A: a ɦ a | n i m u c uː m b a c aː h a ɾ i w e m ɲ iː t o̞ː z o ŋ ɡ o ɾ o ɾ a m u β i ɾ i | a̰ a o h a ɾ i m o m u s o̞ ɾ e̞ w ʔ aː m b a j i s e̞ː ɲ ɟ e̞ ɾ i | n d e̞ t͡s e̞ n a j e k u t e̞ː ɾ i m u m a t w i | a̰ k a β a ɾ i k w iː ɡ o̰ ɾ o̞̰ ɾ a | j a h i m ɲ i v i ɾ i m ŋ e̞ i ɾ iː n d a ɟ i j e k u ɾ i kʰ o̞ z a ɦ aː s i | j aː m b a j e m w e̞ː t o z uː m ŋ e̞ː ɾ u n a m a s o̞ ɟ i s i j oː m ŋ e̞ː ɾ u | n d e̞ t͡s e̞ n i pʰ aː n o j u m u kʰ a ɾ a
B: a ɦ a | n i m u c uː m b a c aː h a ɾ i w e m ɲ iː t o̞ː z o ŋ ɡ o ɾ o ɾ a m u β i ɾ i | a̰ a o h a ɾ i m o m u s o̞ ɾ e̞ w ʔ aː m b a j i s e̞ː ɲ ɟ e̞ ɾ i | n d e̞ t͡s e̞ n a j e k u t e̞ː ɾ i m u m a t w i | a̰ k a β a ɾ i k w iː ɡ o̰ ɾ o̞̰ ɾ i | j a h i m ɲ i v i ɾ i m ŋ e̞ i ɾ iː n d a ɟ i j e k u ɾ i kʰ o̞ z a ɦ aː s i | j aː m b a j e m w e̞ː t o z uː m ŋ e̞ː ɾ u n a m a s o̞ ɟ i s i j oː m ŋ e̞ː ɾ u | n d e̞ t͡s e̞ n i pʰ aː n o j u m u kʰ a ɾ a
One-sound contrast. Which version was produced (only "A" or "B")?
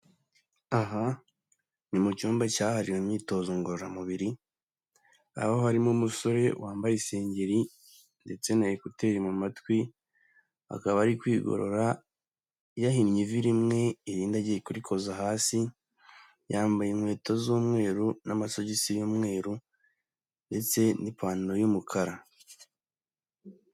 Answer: A